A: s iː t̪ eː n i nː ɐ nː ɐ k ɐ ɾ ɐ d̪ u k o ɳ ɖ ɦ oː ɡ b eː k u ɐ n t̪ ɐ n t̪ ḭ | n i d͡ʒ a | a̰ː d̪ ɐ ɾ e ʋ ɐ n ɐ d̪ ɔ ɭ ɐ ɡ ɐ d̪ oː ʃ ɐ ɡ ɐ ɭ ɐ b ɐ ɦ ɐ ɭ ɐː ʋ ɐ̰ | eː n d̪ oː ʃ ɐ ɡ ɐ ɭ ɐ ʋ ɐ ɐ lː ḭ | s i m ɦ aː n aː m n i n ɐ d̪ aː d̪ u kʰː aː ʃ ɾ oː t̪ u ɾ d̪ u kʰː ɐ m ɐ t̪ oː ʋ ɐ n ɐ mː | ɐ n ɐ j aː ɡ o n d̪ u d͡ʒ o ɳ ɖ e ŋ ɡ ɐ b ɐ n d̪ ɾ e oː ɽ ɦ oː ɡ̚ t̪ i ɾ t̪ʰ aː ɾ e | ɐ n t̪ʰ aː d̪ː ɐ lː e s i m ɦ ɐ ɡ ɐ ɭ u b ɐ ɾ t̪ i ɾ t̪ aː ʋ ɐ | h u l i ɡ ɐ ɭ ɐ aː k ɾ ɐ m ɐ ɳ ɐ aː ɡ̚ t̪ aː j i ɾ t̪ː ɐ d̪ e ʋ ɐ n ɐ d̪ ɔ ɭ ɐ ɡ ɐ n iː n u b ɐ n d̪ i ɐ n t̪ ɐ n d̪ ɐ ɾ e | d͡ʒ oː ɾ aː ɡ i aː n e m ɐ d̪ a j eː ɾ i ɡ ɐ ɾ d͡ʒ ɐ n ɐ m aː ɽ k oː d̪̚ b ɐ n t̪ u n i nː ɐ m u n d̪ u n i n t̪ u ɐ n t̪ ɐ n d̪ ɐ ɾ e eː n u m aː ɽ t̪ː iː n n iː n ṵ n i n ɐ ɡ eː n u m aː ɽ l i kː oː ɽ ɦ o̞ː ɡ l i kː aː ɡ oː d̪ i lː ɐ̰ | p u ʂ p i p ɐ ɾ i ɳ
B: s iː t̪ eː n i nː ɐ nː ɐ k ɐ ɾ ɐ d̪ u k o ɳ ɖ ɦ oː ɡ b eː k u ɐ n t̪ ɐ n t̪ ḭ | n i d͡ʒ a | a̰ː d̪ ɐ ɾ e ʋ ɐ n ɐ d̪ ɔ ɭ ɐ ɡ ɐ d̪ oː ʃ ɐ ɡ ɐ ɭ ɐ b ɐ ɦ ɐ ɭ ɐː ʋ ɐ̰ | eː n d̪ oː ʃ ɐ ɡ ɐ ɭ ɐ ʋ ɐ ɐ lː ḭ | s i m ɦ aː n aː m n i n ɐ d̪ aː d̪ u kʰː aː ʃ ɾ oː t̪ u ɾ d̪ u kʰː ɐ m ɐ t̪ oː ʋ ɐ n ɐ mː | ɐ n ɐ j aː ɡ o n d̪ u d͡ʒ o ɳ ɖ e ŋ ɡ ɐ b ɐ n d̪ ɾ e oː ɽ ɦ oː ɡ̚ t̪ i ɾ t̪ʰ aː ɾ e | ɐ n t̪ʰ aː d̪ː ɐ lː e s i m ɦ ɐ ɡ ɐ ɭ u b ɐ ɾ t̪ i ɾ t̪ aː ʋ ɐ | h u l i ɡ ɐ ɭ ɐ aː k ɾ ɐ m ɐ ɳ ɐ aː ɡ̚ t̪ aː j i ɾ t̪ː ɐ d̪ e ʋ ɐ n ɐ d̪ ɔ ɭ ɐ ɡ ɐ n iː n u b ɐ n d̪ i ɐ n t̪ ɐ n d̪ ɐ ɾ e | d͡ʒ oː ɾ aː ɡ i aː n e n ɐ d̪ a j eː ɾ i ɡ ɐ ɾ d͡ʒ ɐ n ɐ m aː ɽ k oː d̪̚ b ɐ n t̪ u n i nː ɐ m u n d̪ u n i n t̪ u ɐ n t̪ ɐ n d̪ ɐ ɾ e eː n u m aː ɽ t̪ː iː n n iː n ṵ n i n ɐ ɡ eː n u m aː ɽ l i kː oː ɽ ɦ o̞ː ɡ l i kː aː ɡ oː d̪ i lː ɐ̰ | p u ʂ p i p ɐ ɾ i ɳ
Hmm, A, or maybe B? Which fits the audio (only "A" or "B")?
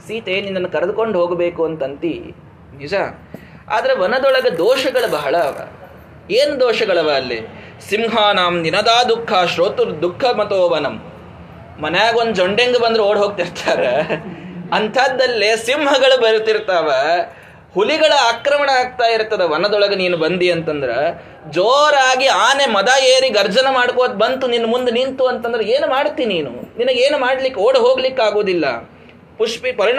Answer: A